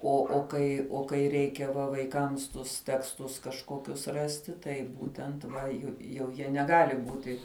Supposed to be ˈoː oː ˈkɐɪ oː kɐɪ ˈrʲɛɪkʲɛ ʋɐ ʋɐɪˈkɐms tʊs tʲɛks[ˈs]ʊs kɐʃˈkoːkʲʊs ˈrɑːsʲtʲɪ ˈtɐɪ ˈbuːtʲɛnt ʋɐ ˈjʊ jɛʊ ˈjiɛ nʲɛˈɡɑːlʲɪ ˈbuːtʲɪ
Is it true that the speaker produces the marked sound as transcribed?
no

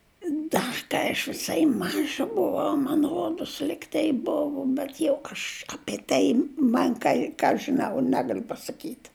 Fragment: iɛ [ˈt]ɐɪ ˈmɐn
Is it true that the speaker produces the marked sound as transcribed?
yes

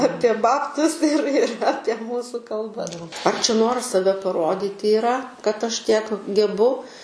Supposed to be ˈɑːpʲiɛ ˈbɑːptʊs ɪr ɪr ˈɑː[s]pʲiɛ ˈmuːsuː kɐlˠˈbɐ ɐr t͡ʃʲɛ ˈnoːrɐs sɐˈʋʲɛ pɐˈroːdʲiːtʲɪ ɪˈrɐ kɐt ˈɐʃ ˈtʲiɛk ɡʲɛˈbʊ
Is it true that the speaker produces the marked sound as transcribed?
no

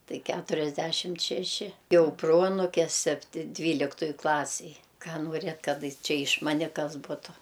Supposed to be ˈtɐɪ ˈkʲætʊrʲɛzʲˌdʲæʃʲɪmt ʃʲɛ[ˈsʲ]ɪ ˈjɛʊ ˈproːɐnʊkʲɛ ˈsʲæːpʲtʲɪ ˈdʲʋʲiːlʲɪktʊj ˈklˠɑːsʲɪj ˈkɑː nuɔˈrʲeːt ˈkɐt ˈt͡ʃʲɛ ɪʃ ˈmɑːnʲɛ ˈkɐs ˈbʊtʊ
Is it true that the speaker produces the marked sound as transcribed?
no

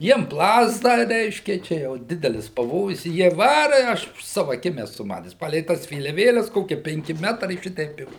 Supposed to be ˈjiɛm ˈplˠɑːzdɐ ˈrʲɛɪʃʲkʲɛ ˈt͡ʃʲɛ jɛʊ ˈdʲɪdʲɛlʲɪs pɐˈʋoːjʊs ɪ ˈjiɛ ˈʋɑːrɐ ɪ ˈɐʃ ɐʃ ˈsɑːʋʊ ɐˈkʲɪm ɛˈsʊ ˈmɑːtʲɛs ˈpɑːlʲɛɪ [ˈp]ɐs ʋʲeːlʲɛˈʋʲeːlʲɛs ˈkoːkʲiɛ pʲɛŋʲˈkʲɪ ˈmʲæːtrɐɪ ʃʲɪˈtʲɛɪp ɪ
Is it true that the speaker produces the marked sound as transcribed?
no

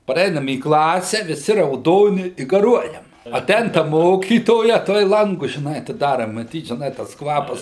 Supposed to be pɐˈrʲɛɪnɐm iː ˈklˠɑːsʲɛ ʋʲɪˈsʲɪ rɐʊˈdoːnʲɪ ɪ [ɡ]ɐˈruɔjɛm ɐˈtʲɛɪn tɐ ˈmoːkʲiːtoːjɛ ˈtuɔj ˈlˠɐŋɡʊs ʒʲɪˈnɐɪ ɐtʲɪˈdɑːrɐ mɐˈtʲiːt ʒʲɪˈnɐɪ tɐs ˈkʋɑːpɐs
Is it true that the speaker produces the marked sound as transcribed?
yes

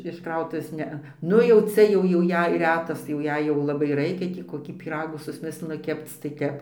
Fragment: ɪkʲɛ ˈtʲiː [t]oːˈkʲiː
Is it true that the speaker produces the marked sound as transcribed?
no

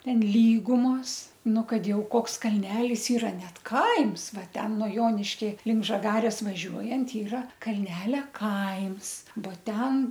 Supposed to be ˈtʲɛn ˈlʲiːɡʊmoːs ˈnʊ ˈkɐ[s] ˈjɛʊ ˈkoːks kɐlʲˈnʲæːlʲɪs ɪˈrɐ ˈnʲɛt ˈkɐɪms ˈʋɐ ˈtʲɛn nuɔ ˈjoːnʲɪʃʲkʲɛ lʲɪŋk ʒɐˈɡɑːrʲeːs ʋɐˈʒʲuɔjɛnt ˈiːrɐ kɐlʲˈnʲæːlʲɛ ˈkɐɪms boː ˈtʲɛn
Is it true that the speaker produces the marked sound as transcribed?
no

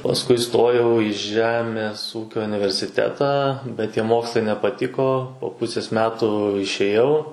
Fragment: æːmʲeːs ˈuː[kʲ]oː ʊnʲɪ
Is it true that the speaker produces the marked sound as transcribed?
yes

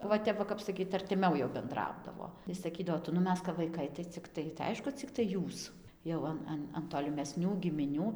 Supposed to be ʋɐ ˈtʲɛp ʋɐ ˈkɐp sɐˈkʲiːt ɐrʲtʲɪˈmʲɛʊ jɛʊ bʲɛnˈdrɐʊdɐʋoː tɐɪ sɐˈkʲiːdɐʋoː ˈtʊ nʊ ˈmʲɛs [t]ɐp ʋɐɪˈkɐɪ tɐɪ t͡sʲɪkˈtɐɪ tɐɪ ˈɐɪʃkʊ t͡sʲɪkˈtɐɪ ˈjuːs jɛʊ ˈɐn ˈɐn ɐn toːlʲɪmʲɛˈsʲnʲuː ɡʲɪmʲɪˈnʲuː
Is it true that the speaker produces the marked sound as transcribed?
no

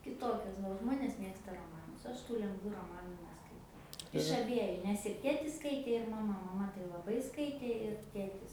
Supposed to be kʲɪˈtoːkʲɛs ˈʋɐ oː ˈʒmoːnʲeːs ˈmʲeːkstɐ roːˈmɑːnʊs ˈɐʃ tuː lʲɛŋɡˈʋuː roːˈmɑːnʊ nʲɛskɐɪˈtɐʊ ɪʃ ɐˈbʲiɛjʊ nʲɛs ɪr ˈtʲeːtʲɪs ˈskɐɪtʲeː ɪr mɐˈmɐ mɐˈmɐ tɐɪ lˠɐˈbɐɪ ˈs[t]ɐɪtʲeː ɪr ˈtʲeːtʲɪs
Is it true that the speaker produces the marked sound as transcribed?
no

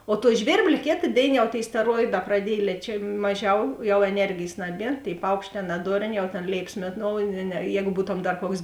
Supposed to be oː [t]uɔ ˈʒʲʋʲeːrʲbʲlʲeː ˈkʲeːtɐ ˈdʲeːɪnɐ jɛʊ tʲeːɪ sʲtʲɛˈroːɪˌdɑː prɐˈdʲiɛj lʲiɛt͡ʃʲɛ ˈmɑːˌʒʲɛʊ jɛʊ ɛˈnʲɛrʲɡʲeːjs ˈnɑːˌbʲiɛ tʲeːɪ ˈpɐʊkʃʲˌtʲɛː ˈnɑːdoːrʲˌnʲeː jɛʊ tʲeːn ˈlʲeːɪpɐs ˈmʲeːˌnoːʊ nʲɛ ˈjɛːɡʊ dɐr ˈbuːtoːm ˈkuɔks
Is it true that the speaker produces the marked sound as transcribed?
yes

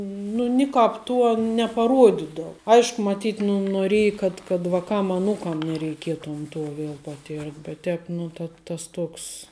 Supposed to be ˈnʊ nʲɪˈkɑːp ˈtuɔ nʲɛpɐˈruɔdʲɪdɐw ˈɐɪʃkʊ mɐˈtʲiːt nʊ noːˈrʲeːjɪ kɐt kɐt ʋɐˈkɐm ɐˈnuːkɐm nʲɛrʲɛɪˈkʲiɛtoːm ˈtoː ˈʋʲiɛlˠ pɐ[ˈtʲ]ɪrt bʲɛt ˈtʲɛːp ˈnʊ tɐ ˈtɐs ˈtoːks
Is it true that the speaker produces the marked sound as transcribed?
yes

